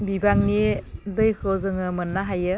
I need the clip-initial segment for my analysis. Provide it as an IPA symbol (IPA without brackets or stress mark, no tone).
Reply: b